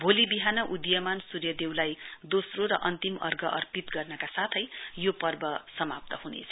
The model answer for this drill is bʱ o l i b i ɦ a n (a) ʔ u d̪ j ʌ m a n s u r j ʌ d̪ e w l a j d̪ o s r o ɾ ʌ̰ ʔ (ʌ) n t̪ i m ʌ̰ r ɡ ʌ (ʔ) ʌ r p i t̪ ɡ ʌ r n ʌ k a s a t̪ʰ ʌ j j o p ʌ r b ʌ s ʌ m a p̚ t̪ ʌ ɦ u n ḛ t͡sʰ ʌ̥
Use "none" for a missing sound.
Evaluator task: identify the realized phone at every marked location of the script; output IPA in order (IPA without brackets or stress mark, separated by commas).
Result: ʌ, ʌ, ʔ